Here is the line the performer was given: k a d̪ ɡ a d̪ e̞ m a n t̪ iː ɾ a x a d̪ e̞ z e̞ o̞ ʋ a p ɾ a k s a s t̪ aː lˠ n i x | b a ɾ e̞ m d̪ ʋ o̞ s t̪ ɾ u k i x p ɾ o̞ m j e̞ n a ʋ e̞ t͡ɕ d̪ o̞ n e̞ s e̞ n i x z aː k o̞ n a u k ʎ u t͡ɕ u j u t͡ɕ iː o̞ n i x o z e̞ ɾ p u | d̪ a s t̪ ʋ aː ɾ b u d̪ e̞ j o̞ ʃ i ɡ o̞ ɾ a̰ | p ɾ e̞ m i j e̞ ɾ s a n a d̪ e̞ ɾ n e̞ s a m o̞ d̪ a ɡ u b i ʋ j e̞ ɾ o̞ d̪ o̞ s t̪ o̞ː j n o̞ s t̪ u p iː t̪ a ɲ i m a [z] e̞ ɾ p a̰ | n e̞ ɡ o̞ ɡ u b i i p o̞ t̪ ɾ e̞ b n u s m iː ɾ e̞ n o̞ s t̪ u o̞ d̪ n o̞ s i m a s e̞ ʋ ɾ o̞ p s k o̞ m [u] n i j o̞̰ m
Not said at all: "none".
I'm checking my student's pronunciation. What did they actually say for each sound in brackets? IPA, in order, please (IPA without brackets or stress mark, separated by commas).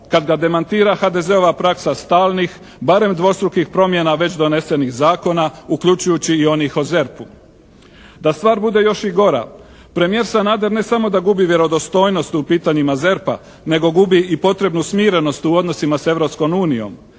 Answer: z, uː